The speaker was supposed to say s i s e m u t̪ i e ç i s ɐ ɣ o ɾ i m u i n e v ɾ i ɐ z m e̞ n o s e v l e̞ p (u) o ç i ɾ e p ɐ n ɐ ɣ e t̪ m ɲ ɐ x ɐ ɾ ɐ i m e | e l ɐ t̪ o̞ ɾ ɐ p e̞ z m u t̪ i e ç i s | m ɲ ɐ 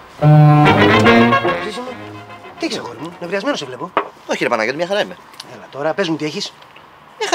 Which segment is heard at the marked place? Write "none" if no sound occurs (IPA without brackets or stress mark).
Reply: o